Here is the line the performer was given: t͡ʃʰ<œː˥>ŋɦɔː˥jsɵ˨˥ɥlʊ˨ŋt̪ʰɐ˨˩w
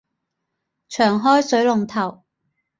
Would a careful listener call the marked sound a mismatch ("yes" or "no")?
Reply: yes